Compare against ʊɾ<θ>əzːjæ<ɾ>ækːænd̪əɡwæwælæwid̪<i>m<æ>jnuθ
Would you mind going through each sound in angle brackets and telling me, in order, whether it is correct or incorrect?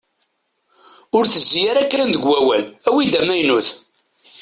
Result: correct, correct, incorrect: æ, correct

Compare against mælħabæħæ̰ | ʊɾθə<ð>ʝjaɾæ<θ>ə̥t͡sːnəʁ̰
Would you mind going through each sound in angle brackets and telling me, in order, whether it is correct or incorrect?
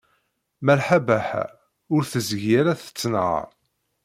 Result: incorrect: z, correct

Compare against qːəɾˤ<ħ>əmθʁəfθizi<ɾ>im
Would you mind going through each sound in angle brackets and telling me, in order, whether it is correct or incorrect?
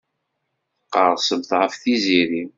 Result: incorrect: s, correct

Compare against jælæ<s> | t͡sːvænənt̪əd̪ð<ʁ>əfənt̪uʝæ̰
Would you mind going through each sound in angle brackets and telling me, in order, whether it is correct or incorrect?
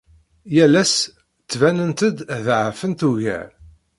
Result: correct, incorrect: ʕ

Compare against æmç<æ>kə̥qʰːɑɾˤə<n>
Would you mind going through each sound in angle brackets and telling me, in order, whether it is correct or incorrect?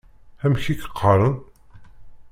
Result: incorrect: i, correct

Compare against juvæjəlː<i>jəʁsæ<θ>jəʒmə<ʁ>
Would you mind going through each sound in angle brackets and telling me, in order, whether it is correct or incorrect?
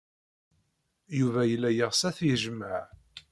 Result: incorrect: æ, correct, incorrect: ʕ

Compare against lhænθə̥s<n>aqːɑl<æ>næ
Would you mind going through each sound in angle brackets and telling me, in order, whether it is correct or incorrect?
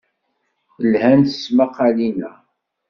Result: incorrect: m, incorrect: i

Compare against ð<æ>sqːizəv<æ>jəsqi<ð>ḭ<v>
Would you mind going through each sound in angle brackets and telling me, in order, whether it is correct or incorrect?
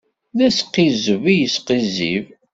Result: correct, incorrect: i, incorrect: z, correct

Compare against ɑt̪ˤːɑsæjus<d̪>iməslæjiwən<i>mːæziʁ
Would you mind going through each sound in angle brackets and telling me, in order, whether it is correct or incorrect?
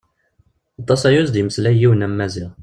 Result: correct, incorrect: æ

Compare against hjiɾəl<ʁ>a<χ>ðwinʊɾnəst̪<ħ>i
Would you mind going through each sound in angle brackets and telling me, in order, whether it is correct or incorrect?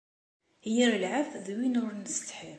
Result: incorrect: ʕ, incorrect: f, correct

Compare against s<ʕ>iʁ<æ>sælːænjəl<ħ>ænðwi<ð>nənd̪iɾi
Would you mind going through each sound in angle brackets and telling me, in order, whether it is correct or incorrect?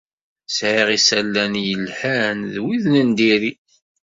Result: correct, incorrect: i, correct, correct

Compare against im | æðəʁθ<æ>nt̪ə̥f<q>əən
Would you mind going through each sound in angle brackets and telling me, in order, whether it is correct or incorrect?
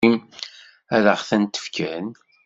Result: correct, incorrect: k

